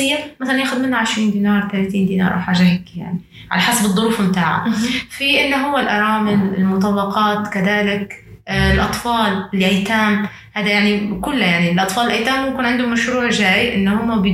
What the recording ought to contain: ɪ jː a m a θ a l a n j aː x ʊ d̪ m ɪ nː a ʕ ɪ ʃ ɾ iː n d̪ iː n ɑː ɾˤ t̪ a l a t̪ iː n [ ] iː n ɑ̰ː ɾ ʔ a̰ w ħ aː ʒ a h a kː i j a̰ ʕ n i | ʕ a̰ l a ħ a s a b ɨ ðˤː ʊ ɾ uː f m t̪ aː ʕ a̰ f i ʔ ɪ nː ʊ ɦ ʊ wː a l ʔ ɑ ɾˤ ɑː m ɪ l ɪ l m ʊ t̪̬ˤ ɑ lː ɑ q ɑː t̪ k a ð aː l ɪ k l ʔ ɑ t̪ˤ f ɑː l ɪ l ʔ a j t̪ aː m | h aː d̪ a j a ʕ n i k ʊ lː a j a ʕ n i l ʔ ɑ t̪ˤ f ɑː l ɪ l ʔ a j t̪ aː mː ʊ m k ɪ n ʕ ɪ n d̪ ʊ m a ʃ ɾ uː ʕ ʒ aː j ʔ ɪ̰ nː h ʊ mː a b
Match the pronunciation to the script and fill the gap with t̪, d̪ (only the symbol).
d̪